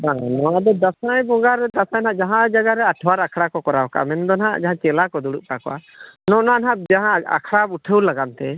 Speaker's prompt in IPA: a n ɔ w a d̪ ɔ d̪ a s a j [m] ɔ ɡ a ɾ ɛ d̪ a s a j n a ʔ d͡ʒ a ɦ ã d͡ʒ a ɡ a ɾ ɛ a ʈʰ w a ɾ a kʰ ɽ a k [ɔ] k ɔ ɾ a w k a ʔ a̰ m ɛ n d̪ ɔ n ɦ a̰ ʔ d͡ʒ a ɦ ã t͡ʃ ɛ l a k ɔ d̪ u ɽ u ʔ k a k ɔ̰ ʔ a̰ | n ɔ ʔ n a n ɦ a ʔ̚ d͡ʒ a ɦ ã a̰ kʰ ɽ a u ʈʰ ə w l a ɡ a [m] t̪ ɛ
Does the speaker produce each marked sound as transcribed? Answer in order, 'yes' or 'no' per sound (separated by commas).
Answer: no, yes, no